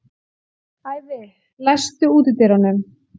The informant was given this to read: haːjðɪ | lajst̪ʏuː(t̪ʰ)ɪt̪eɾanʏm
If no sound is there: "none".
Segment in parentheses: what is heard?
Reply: t̪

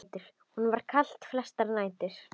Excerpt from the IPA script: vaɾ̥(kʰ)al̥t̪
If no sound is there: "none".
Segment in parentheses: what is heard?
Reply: kʰ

